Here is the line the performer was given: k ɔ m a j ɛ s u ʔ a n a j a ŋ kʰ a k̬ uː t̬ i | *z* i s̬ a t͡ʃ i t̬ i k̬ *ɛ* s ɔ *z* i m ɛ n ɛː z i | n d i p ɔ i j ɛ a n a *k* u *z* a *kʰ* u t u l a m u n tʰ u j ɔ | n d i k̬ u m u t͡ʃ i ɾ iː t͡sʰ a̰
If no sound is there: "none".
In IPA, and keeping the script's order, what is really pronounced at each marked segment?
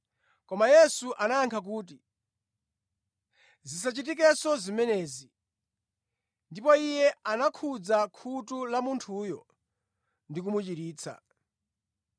z, ɛ, z, kʰ, d͡z, kʰ

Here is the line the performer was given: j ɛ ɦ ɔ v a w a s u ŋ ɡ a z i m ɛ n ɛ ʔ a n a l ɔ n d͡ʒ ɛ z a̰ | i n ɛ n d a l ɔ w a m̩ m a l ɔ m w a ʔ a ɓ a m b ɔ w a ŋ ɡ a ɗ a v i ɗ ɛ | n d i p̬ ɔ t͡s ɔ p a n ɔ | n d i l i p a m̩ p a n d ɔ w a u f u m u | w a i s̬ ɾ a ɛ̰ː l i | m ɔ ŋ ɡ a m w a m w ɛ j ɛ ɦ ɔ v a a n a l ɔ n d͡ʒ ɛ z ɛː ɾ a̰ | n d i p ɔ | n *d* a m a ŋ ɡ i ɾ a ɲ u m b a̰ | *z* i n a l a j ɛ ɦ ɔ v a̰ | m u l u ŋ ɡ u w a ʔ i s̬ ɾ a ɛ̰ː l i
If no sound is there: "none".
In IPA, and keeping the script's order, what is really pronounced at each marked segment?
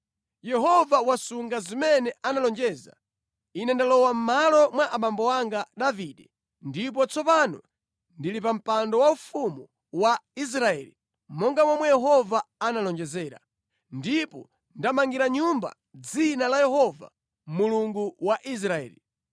d, d͡z

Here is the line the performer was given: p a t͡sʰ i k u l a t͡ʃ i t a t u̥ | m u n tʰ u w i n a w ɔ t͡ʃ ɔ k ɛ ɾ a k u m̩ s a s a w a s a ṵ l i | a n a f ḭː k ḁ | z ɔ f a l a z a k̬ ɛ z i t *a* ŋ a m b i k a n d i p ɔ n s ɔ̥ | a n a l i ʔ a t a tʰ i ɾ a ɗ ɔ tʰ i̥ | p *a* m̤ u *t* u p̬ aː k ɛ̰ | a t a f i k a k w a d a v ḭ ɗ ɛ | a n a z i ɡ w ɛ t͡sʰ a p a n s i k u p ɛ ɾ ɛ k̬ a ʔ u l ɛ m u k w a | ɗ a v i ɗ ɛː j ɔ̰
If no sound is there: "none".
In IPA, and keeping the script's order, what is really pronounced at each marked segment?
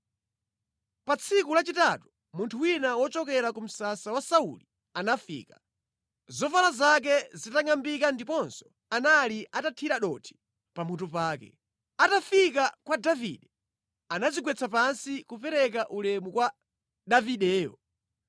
a, a, t

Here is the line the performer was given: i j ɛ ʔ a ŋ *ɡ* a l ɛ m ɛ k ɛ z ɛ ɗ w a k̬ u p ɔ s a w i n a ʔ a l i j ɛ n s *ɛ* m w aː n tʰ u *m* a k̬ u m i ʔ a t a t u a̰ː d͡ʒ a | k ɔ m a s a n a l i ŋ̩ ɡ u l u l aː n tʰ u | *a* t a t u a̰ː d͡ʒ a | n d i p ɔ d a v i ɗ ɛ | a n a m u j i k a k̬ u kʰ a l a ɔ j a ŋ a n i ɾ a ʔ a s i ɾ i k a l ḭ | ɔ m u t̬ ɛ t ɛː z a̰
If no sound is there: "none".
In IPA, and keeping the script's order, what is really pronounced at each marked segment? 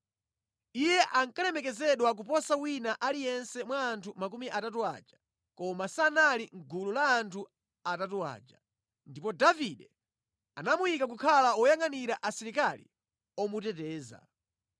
k, ɛ, m, a

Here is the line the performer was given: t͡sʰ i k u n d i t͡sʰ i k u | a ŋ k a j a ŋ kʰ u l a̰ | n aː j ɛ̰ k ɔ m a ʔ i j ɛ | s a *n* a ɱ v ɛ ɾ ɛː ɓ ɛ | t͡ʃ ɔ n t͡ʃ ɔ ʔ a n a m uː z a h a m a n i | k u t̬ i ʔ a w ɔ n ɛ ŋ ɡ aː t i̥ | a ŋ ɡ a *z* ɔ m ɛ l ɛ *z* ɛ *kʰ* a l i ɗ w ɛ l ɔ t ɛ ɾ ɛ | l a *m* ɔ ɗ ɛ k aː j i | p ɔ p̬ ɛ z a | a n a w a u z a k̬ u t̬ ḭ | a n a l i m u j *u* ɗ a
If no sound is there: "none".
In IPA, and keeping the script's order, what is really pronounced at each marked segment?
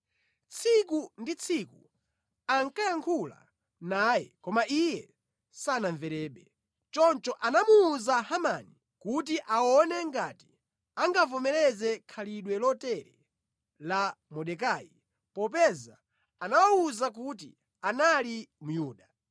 n, v, z, kʰ, m, uː

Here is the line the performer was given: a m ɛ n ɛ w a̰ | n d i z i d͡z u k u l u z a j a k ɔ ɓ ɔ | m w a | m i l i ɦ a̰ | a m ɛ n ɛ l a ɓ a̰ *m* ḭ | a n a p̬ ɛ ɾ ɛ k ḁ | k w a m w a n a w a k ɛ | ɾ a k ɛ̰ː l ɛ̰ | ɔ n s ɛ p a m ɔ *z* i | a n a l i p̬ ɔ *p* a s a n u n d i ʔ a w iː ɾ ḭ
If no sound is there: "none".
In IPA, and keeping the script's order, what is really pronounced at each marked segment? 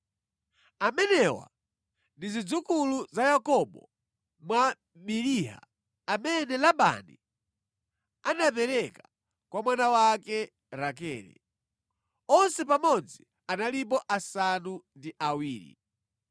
n, d͡z, ʔ

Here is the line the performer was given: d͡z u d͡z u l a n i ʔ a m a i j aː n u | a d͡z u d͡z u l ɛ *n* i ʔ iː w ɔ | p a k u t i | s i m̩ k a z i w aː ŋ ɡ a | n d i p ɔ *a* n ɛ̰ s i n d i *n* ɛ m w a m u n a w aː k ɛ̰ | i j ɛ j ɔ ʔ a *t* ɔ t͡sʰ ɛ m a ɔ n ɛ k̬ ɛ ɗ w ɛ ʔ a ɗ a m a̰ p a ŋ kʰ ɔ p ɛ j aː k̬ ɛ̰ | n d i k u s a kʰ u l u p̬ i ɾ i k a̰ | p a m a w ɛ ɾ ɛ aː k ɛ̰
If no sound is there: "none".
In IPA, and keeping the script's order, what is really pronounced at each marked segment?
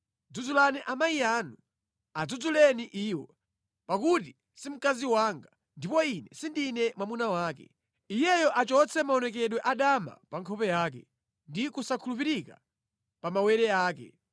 n, i, n, t͡ʃ

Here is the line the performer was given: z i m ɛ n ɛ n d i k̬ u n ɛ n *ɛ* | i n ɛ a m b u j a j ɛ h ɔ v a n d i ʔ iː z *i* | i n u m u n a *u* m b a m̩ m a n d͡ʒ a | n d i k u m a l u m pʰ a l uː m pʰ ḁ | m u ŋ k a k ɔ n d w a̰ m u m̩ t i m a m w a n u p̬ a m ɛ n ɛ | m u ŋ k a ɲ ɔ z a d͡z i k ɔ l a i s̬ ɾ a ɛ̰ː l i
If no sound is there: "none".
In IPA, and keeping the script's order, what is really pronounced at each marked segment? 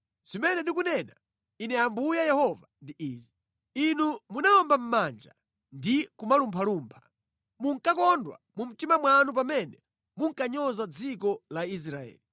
a, i, ɔ

